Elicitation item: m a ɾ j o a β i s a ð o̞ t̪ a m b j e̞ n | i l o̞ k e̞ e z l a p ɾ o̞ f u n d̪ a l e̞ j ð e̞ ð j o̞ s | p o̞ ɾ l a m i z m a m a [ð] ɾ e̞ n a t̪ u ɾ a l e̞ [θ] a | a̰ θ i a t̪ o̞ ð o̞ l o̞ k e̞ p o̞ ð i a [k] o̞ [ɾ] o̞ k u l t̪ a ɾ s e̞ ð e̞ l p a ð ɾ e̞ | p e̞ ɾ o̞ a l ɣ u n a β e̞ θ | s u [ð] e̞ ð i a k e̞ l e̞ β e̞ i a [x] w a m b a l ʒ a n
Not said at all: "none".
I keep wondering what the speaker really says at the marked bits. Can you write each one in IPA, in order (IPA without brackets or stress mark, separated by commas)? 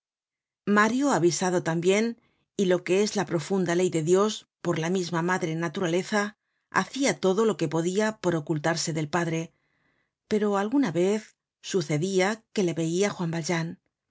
ð, θ, p, ɾ, θ, x